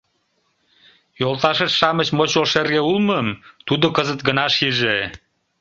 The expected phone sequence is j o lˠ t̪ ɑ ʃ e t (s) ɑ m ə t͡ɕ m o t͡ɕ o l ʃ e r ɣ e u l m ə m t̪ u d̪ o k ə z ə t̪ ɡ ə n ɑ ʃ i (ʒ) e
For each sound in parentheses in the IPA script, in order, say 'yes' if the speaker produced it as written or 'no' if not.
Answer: no, yes

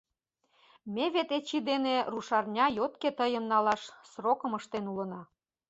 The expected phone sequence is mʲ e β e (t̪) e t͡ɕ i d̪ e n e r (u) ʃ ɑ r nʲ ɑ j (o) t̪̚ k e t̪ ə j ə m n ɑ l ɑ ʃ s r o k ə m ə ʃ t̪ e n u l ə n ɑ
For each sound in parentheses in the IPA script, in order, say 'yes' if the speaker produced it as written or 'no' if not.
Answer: yes, yes, yes

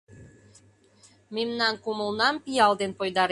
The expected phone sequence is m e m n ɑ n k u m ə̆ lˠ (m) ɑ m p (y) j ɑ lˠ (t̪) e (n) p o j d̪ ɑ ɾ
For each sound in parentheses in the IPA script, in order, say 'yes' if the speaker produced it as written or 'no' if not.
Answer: no, no, no, yes

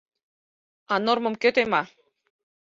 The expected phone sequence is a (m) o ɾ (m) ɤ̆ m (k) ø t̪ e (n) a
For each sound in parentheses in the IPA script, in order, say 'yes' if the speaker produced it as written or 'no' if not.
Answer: no, yes, yes, no

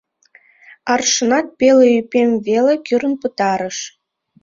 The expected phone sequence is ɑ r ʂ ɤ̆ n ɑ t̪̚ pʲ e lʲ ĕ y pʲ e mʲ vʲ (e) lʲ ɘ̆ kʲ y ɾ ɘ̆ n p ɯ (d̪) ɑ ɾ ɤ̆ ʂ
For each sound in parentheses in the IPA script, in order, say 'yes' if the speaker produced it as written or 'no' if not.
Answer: yes, no

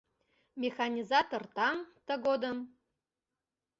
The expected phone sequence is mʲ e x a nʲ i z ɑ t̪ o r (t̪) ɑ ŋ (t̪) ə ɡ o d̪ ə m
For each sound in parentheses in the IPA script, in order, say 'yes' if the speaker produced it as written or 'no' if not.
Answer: yes, yes

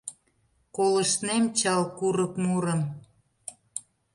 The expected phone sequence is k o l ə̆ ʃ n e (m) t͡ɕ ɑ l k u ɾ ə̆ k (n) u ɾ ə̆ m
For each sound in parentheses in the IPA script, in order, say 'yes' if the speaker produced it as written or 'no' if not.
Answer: yes, no

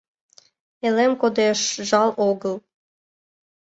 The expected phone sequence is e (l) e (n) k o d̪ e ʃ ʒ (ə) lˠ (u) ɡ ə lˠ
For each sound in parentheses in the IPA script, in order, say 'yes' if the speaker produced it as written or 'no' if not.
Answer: yes, no, no, no

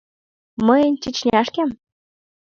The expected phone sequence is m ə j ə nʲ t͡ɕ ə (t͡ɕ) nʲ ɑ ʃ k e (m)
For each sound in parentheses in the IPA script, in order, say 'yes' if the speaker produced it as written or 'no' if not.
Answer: yes, yes

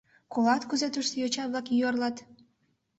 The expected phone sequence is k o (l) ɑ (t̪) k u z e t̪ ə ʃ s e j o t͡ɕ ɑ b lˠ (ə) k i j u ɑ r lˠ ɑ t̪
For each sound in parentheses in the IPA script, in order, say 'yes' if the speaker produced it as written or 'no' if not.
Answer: yes, yes, no

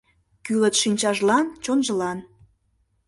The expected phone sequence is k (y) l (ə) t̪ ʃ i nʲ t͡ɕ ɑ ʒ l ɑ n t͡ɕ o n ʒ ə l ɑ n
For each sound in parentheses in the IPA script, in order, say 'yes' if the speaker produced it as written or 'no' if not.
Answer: yes, yes

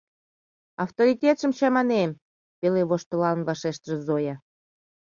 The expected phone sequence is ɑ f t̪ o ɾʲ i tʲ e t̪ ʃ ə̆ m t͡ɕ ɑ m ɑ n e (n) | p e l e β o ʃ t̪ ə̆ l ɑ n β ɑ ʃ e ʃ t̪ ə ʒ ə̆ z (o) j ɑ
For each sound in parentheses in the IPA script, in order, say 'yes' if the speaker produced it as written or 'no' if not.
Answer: no, yes

